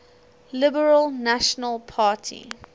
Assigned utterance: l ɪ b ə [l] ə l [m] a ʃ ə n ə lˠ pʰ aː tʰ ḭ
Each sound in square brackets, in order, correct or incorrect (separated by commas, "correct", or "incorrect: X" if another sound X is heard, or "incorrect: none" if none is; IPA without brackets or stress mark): incorrect: ɹ, incorrect: n